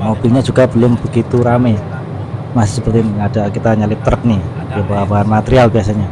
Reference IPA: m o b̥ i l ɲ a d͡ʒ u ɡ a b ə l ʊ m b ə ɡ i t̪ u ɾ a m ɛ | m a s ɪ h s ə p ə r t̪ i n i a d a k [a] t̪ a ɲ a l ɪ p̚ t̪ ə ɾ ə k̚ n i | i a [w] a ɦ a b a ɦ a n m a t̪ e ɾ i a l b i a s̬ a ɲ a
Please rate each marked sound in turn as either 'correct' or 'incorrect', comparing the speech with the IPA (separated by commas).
incorrect, incorrect